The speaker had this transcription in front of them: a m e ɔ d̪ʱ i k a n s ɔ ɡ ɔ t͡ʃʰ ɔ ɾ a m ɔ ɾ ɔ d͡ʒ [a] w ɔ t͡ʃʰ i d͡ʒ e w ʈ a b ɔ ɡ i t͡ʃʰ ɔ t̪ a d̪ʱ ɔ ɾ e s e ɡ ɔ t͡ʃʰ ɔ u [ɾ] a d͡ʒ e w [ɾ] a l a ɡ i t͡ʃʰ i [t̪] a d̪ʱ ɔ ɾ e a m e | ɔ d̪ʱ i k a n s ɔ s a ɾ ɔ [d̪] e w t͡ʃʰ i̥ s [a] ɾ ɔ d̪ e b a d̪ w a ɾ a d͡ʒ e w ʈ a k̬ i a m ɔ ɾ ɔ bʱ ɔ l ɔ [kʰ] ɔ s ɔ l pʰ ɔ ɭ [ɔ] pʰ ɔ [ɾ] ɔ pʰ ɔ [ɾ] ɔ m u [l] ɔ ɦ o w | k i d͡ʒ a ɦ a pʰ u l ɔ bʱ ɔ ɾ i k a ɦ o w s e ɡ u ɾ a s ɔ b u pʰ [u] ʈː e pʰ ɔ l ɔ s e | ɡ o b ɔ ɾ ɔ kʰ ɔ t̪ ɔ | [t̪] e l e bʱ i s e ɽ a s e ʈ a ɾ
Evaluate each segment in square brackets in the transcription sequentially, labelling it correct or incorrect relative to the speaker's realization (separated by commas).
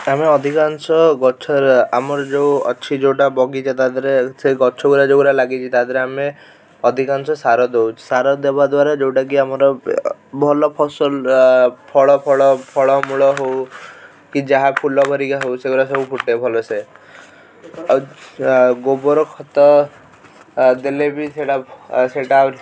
incorrect, correct, correct, correct, correct, correct, incorrect, correct, incorrect, incorrect, incorrect, correct, incorrect